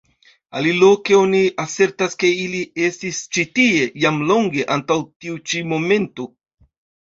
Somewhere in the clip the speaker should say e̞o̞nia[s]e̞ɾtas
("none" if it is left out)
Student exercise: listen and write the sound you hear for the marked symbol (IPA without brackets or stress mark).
s